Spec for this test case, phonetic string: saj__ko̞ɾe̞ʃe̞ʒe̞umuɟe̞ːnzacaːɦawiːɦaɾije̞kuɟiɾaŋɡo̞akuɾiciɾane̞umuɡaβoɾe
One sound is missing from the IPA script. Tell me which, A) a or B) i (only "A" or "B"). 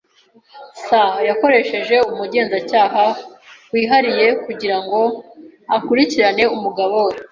A